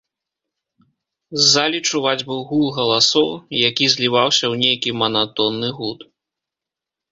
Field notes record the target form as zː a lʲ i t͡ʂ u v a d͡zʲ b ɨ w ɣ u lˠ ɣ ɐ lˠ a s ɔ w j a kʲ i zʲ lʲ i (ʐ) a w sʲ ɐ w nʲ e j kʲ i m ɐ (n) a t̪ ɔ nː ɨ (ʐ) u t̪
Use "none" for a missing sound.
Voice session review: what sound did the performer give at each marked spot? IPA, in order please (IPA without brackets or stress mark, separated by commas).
v, n, ɣ